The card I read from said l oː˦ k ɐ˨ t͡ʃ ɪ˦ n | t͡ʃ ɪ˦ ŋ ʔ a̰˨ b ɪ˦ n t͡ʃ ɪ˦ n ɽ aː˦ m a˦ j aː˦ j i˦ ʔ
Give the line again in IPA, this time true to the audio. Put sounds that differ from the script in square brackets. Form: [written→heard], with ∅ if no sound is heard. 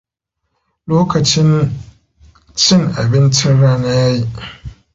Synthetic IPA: l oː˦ k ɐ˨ t͡ʃ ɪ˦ n | t͡ʃ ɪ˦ ŋ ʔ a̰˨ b ɪ˦ n t͡ʃ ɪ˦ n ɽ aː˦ [m→n] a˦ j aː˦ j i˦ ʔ